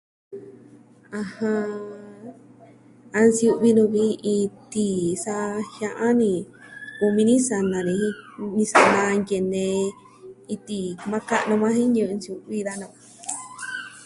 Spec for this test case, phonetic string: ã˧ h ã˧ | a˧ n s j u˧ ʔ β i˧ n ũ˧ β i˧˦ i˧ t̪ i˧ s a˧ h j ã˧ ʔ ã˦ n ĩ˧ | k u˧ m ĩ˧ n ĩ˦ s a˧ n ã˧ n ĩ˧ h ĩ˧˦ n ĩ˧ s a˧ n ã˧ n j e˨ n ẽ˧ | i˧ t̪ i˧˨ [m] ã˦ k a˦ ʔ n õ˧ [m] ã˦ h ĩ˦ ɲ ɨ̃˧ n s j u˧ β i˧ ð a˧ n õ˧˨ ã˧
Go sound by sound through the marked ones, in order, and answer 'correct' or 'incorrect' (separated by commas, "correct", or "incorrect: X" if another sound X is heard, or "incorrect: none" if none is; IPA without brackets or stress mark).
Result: correct, correct